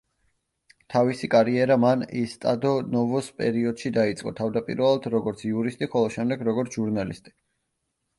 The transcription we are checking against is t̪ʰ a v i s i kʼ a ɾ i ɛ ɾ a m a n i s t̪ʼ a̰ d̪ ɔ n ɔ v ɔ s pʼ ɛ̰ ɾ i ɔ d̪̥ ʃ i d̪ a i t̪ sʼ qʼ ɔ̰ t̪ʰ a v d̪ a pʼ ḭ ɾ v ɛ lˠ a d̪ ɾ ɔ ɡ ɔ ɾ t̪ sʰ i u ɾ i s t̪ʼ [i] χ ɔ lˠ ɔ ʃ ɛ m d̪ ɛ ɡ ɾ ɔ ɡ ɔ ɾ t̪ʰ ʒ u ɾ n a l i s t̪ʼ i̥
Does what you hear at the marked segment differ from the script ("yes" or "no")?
no